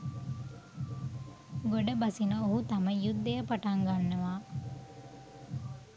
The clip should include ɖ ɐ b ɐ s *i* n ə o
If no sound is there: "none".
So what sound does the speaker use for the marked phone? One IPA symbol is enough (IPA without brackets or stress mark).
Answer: i